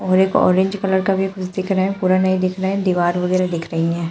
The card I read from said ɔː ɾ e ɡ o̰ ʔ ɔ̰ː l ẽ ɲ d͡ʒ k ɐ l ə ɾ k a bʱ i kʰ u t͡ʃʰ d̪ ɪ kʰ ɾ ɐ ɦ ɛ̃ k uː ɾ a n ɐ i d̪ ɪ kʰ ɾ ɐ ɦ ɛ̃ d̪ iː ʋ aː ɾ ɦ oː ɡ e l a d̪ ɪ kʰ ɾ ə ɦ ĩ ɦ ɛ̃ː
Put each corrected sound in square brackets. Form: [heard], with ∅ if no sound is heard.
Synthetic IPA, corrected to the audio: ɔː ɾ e [k] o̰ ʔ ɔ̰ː [ɾ] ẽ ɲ d͡ʒ k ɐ l ə ɾ k a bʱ i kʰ [ʊ] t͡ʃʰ d̪ ɪ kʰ ɾ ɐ ɦ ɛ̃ [p] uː ɾ a n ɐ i d̪ ɪ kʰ ɾ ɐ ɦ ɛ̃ d̪ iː ʋ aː ɾ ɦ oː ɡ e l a d̪ ɪ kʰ ɾ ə ɦ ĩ ɦ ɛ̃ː

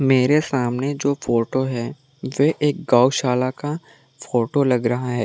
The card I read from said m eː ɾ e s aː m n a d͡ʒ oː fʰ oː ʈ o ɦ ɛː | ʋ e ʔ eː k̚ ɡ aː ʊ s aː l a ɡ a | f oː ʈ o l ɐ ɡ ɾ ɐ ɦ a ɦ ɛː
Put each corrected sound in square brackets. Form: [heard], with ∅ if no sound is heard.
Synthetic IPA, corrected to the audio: m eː ɾ e s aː m n [e] d͡ʒ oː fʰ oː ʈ o ɦ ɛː | ʋ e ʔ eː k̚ ɡ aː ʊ [ʃ] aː l a [k] a | f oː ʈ o l ɐ ɡ ɾ ɐ ɦ a ɦ ɛː

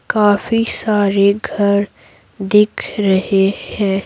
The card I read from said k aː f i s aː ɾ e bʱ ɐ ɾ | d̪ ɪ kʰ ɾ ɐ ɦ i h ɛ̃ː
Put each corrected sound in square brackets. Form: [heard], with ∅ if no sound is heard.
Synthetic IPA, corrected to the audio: k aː f i s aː ɾ e [ɡʱ] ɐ ɾ | d̪ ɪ kʰ ɾ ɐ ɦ [e] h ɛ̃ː

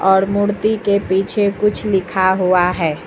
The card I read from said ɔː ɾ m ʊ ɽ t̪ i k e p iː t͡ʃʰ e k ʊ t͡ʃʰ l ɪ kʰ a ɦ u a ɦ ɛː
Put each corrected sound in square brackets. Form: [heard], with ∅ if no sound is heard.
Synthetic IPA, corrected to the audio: ɔː ɾ m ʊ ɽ t̪ i k e p iː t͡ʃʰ e k ʊ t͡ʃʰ l ɪ kʰ a ɦ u a ɦ ɛː

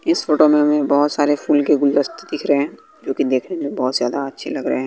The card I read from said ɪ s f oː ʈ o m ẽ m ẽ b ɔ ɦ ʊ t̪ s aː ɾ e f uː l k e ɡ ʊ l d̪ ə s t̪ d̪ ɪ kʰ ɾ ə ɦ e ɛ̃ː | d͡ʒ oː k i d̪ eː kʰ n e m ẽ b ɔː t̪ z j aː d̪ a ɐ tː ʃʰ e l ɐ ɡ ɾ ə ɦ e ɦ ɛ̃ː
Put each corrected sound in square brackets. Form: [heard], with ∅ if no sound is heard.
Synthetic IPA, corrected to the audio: ɪ s f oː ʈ o m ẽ m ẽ b ɔ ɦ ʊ t̪ s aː ɾ e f uː l k e ɡ ʊ l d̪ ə s t̪ d̪ ɪ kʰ ɾ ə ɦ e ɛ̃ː | d͡ʒ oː k i d̪ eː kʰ n e m ẽ b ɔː t̪ z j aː d̪ a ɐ tː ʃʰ e l ɐ ɡ ɾ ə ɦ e ɦ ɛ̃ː

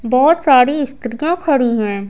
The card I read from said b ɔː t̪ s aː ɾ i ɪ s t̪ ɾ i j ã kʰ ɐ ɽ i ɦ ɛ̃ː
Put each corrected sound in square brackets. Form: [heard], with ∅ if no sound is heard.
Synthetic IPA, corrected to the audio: b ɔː t̪ s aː ɾ i ɪ s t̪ ɾ i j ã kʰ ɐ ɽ i ɦ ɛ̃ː

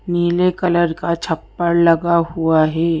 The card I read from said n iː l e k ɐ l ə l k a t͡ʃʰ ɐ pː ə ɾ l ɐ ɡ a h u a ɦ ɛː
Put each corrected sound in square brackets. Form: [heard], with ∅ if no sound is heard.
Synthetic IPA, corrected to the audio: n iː l e k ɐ l ə [ɾ] k a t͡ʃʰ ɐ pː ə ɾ l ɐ ɡ a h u a ɦ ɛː

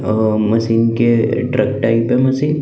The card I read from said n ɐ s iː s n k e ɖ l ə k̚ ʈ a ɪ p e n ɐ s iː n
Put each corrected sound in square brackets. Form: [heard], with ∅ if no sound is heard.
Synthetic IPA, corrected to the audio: [m] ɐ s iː [∅] n k e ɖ [ɾ] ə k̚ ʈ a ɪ p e [m] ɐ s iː n

